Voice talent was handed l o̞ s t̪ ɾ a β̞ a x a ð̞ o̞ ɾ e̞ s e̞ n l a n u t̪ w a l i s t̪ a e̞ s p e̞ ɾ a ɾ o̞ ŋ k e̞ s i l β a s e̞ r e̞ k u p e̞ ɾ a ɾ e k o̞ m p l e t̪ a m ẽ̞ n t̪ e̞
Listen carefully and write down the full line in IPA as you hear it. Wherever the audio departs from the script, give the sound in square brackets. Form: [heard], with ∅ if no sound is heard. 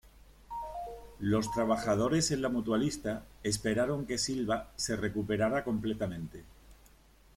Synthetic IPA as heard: l o̞ s t̪ ɾ a β̞ a x a ð̞ o̞ ɾ e̞ s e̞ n l a [m] u t̪ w a l i s t̪ a e̞ s p e̞ ɾ a ɾ o̞ ŋ k e̞ s i l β a s e̞ r e̞ k u p e̞ ɾ a ɾ [a] k o̞ m p l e t̪ a m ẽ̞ n t̪ e̞